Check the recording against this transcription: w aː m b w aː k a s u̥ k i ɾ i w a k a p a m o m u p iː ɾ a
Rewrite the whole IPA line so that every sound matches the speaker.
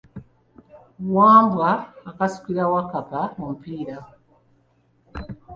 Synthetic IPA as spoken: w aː m b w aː k a s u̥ k i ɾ a w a k a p a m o m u p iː ɾ a